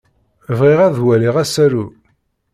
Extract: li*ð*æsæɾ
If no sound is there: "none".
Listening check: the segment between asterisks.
ʁ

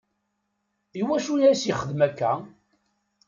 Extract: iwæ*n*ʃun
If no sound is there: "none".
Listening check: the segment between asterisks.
none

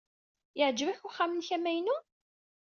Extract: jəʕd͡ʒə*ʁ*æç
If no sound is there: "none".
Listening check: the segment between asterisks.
v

